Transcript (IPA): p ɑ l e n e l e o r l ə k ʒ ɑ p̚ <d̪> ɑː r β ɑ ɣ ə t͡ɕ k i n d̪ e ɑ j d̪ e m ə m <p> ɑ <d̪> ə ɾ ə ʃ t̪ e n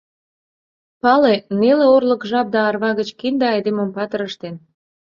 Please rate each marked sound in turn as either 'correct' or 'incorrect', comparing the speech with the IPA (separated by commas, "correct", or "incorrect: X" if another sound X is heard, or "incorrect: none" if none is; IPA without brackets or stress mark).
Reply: correct, correct, incorrect: t̪